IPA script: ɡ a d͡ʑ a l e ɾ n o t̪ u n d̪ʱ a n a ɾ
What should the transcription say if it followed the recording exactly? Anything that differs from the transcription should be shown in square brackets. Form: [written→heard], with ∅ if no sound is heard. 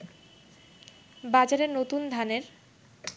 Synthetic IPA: [ɡ→b] a d͡ʑ a [l→ɾ] e ɾ n o t̪ u n d̪ʱ a n [a→e] ɾ